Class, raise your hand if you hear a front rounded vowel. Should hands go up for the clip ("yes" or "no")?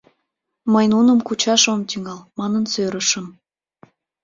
yes